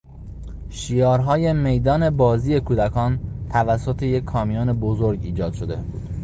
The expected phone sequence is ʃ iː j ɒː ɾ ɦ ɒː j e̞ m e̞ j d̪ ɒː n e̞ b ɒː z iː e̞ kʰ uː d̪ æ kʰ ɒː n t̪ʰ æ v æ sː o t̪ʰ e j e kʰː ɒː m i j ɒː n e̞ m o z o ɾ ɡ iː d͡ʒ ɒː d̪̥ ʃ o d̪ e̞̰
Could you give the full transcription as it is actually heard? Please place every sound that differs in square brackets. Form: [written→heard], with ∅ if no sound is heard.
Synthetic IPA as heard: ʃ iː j ɒː ɾ ɦ ɒː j e̞ m e̞ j d̪ ɒː n e̞ b ɒː z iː e̞ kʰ uː d̪ æ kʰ ɒː n t̪ʰ æ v æ sː o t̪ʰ e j e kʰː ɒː m i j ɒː n e̞ [m→b] o z o ɾ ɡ iː d͡ʒ ɒː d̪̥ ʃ o d̪ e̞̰